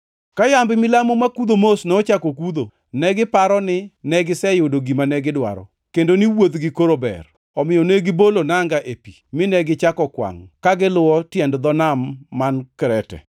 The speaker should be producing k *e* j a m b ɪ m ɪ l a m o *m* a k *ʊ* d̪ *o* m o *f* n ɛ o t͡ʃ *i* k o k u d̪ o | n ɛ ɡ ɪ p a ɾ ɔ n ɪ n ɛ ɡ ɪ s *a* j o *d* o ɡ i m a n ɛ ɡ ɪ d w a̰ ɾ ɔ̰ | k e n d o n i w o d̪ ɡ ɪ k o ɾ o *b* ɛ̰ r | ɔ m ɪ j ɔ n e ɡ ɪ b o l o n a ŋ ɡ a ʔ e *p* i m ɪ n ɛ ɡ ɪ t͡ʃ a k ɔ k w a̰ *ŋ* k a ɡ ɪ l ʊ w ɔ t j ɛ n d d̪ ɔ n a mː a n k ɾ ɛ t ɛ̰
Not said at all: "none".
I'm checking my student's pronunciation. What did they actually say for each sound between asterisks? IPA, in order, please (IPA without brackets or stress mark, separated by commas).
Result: a, m, u, o, s, a, ɛ, d, b, p, ŋ